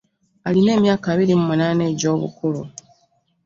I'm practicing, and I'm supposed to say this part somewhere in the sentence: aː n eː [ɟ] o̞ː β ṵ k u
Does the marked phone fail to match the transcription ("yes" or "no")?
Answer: no